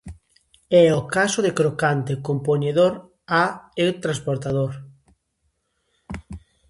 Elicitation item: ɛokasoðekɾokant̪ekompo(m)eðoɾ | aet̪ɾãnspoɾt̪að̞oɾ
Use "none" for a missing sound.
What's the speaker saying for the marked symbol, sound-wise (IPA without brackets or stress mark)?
ɲ